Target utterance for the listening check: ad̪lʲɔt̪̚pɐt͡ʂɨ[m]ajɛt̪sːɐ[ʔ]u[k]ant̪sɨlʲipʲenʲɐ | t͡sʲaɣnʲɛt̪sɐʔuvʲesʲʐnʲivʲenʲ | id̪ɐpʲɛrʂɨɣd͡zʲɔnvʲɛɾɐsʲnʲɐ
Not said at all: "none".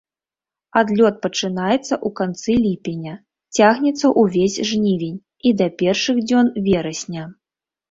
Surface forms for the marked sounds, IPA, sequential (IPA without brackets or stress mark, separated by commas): n, ʔ, k